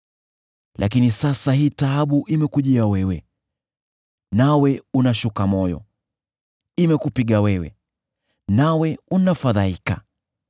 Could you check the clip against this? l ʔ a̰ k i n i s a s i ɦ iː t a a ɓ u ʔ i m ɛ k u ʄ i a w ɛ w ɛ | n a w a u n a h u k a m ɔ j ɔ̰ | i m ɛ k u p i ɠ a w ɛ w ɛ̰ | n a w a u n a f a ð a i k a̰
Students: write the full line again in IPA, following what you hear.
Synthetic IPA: l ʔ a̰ k i n i s a s a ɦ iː t a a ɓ u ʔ i m ɛ k u ʄ i a w ɛ w ɛ | n a w ɛ u n a ʃ u k a m ɔ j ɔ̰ | i m ɛ k u p i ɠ a w ɛ w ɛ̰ | n a w ɛ u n a f a ð a i k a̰